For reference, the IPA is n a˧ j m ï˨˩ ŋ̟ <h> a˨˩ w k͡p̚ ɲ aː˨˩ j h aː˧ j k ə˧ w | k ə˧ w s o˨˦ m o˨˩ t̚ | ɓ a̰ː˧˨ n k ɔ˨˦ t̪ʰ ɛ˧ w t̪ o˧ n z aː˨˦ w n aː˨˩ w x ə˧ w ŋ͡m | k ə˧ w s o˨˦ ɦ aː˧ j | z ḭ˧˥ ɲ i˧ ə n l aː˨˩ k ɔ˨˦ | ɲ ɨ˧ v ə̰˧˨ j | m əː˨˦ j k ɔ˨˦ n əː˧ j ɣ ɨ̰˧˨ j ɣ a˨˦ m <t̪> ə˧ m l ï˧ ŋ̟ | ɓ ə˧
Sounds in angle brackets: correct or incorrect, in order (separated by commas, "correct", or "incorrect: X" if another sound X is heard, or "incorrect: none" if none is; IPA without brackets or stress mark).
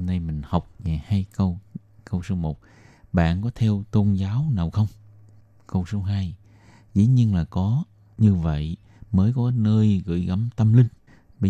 correct, correct